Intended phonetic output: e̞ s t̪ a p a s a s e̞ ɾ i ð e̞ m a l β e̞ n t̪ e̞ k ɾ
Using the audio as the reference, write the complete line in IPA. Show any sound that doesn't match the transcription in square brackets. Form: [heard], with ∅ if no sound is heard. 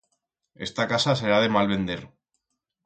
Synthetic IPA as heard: e̞ s t̪ a [k] a s a s e̞ ɾ [a] ð e̞ m a l β e̞ n [d̪] e̞ [∅] ɾ